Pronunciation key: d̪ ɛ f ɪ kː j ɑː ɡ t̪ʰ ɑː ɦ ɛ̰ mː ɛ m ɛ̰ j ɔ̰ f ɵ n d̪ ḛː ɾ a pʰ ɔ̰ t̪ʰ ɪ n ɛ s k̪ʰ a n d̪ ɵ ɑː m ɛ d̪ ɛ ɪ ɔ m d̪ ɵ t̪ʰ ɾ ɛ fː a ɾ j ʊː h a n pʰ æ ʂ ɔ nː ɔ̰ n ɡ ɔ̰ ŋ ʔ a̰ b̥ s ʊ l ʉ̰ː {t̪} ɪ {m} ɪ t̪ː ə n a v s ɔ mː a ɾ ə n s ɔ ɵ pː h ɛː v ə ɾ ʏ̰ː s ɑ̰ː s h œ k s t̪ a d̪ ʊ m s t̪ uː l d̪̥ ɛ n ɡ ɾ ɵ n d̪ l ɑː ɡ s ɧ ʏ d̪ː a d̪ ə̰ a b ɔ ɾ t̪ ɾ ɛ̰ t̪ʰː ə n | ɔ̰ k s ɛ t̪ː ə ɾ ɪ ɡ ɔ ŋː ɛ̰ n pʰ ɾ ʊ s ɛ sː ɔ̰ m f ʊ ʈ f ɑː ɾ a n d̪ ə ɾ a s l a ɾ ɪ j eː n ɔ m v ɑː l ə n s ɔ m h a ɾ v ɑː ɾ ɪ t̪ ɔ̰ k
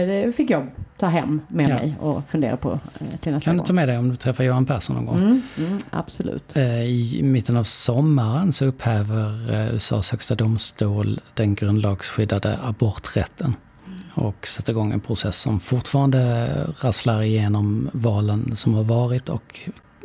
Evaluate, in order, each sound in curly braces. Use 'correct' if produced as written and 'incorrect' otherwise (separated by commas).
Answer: correct, correct